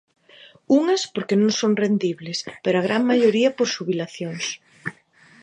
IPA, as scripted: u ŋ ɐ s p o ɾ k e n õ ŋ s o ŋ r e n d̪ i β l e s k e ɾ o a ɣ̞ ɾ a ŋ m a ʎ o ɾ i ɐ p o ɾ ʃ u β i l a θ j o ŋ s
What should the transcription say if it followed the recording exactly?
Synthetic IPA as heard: u ŋ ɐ s p o ɾ k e n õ ŋ s o ŋ r e n d̪ i β l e s p e ɾ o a ɣ̞ ɾ a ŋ m a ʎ o ɾ i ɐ p o ɾ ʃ u β i l a θ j o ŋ s